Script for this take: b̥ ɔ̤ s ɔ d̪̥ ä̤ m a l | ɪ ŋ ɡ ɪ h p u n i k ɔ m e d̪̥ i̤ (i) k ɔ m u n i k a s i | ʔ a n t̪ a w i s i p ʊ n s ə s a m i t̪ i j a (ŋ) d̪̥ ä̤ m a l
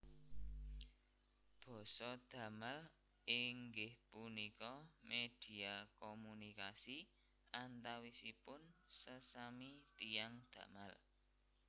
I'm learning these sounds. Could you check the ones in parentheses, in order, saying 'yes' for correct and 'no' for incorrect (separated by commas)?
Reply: no, yes